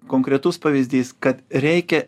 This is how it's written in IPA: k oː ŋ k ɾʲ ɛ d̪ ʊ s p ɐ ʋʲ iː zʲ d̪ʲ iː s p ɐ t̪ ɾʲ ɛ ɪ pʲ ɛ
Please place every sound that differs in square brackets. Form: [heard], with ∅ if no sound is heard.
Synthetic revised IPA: k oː ŋ k ɾʲ ɛ [t̪] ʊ s p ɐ ʋʲ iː zʲ d̪ʲ iː s [k] ɐ t̪ ɾʲ ɛ ɪ [kʲ] ɛ